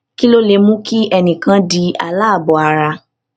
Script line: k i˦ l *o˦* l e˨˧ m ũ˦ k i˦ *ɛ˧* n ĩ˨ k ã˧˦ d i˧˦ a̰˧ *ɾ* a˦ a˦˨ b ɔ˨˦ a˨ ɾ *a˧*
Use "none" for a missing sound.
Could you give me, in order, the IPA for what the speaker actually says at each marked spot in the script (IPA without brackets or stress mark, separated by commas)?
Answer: o˦, ɛ˧, l, a˧